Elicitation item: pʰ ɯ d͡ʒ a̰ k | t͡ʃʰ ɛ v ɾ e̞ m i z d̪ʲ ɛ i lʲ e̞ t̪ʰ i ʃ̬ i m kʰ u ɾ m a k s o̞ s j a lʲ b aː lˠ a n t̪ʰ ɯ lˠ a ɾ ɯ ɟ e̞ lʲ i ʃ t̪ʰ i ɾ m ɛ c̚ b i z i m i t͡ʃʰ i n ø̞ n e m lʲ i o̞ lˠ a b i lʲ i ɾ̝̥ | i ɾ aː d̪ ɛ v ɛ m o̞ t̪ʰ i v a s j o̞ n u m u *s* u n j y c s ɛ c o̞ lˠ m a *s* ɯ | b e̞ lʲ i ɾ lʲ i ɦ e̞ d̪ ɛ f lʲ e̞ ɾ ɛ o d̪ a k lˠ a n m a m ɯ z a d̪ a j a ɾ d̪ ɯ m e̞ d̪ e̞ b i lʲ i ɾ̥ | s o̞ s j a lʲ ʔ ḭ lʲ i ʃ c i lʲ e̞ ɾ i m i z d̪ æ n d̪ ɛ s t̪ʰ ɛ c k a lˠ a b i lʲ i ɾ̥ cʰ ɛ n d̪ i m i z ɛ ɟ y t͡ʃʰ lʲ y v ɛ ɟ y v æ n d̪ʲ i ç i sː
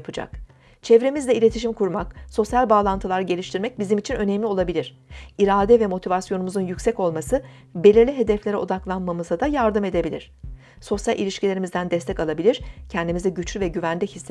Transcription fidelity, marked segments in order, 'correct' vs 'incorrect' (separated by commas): incorrect, correct